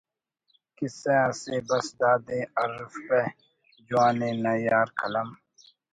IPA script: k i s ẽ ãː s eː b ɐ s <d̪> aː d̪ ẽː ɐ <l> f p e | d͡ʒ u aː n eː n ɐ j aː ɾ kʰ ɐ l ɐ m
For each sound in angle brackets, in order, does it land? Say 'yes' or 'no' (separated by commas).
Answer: yes, no